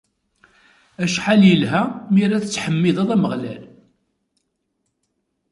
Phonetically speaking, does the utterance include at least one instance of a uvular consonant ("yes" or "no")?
yes